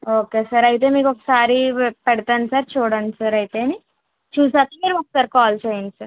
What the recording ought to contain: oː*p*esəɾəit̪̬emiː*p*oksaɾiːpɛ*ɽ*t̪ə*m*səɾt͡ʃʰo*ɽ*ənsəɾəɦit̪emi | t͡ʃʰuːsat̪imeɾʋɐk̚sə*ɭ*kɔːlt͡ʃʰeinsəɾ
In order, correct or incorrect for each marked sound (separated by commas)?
incorrect, incorrect, correct, incorrect, correct, incorrect